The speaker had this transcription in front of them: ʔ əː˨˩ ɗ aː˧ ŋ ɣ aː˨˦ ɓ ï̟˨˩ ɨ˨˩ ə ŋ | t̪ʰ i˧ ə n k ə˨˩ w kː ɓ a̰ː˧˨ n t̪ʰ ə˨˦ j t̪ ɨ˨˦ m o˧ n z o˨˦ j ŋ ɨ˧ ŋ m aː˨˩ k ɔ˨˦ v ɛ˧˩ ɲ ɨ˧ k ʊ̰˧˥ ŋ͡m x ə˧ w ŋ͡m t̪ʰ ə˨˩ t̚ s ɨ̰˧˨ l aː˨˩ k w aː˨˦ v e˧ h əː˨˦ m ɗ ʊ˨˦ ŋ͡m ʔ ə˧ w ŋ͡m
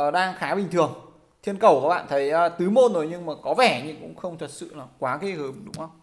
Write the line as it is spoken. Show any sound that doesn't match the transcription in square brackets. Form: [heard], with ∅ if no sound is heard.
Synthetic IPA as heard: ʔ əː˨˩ ɗ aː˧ ŋ [x] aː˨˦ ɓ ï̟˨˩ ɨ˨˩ ə ŋ | t̪ʰ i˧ ə n k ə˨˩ w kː ɓ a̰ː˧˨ n t̪ʰ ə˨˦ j t̪ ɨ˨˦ m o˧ n z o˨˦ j [ɲ] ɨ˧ ŋ m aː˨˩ k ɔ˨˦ v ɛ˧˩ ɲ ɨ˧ k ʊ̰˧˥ ŋ͡m x ə˧ w ŋ͡m t̪ʰ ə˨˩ t̚ s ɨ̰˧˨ l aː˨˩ k w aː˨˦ [ɣ] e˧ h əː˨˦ m ɗ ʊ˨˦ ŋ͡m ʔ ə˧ w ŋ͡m

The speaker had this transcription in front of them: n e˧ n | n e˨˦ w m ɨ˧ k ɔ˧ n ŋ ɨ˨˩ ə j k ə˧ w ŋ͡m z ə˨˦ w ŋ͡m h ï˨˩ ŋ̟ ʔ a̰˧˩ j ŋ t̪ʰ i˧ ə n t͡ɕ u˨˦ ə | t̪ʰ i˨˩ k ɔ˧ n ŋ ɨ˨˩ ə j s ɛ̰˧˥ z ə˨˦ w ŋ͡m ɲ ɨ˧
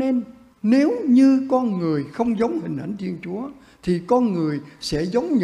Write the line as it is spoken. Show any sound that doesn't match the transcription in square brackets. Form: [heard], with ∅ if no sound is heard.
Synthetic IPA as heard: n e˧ n | n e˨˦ w [ɲ] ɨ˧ k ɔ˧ n ŋ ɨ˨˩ ə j [x] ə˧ w ŋ͡m z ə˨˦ w ŋ͡m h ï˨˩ ŋ̟ ʔ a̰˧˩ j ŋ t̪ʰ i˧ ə n t͡ɕ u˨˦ ə | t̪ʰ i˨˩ k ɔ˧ n ŋ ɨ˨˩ ə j s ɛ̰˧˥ z ə˨˦ w ŋ͡m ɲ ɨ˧

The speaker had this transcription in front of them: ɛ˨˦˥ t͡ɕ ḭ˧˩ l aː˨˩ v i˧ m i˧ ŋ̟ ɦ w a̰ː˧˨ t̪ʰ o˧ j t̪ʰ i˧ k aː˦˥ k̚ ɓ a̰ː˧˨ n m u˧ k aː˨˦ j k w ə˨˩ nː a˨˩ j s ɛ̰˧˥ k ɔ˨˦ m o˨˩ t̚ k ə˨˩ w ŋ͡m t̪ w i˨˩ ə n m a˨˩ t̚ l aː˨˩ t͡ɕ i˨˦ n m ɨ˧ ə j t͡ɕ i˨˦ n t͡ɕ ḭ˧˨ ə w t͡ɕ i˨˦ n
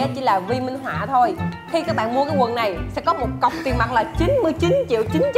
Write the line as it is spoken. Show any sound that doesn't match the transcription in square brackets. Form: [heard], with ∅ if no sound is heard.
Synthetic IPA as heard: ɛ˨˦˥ t͡ɕ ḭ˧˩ l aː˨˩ v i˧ m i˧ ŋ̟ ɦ w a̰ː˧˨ t̪ʰ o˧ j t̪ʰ i˧ k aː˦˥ k̚ ɓ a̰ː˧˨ n m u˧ k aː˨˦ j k w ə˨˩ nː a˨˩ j s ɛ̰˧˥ k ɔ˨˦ m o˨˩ t̚ k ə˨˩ w ŋ͡m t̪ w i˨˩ ə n m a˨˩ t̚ l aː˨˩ t͡ɕ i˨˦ n m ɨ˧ ə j t͡ɕ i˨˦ n t͡ɕ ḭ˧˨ ə w t͡ɕ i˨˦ n

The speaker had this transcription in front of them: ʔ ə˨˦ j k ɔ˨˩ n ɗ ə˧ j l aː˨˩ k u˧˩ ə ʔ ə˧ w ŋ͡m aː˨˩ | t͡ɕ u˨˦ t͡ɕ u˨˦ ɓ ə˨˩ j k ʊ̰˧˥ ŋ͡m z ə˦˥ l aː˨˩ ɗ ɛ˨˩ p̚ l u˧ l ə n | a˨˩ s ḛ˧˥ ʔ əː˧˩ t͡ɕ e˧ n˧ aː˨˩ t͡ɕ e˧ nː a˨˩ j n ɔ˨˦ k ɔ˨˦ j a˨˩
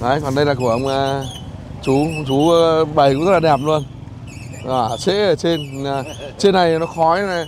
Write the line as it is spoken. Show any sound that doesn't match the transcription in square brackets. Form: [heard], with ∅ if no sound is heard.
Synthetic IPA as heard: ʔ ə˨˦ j k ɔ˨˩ n ɗ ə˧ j l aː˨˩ k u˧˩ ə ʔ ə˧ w ŋ͡m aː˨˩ | t͡ɕ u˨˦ t͡ɕ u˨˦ ɓ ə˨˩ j k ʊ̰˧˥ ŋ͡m z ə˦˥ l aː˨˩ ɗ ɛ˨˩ p̚ l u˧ [∅] ə n | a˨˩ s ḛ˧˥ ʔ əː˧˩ t͡ɕ e˧ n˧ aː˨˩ t͡ɕ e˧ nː a˨˩ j n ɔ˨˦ [x] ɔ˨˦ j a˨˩

